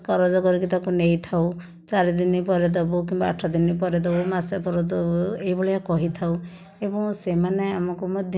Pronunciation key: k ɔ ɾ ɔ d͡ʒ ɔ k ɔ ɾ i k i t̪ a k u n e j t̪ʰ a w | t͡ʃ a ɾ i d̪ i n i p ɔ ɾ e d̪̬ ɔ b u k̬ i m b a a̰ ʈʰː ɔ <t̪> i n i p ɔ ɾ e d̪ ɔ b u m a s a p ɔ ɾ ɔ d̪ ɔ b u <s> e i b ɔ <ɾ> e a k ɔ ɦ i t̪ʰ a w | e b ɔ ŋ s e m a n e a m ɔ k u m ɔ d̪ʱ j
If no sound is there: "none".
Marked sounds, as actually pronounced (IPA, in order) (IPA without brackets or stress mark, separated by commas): d̪, none, ɭ